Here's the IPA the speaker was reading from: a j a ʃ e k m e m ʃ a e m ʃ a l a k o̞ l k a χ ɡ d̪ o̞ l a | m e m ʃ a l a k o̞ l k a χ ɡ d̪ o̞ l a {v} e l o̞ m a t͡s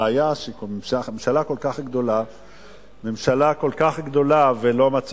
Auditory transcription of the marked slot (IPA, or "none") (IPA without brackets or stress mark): v